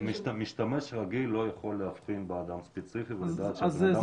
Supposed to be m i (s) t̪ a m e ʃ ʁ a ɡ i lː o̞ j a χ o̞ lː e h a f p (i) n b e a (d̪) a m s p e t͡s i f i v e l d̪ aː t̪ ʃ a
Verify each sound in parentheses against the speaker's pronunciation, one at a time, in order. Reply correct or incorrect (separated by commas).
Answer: incorrect, correct, correct